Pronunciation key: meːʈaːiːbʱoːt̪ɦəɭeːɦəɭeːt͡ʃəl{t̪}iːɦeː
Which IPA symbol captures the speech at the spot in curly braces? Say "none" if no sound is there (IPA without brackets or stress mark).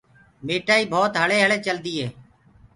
d̪